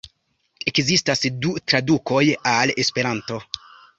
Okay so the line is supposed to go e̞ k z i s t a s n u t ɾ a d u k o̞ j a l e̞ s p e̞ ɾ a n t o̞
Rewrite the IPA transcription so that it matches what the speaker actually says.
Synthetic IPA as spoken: e̞ k z i s t a s d u t ɾ a d u k o̞ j a l e̞ s p e̞ ɾ a n t o̞